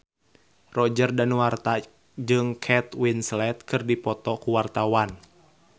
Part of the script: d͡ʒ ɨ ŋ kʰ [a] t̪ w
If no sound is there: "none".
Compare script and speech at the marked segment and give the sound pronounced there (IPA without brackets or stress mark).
ɛ